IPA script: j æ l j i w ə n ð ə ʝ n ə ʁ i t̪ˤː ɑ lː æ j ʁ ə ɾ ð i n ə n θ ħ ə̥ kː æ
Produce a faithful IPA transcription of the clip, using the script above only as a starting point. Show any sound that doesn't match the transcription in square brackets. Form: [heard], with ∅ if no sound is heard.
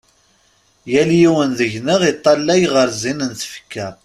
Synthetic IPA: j æ l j i w ə n ð ə ʝ n ə ʁ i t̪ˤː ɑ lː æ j ʁ ə ɾ [z] i n ə n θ [f] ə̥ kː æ